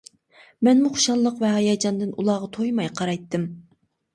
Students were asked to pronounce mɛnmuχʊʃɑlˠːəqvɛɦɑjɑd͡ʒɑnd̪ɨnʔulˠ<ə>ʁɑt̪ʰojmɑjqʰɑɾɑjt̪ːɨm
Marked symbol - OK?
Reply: no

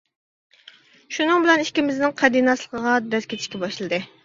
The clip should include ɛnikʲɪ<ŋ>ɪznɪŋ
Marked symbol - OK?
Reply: no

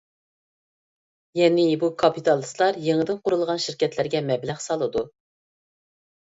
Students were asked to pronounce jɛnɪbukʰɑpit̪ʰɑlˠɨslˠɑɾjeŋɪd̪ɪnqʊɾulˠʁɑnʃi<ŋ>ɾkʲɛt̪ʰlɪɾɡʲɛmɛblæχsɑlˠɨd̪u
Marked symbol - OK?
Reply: no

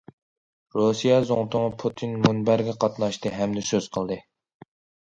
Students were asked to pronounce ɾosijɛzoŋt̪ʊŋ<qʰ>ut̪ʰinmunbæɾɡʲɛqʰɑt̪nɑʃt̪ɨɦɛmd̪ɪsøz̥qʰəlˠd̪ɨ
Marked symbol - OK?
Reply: no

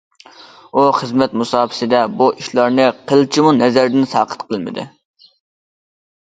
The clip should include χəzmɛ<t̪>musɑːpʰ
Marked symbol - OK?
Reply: yes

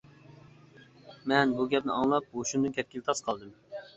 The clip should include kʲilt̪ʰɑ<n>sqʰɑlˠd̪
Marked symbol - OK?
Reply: no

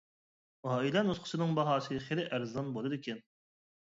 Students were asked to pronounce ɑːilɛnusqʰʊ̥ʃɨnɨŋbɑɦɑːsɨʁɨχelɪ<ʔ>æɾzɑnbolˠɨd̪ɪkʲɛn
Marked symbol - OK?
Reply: yes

